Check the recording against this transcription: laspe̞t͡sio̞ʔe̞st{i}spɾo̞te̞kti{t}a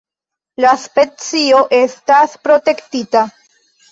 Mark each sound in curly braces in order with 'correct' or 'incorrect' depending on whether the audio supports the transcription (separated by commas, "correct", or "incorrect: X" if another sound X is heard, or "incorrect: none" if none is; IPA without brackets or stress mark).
incorrect: a, correct